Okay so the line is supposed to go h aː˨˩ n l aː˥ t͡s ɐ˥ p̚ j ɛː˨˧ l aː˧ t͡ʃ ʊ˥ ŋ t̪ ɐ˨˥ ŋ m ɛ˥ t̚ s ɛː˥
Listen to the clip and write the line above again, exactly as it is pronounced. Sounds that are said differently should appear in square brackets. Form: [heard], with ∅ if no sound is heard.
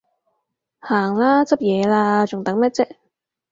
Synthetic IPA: h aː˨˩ [ŋ] l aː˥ t͡s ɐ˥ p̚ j ɛː˨˧ l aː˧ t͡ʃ [ʊ˨] ŋ t̪ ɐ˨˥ ŋ m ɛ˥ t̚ [t͡s] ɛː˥